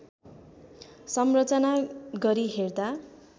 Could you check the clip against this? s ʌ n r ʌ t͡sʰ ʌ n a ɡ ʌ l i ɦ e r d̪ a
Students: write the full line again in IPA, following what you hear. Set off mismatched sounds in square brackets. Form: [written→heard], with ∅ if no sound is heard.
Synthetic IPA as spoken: s ʌ [n→m] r ʌ [t͡sʰ→t͡s] ʌ n a ɡ ʌ [l→ɾ] i ɦ e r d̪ a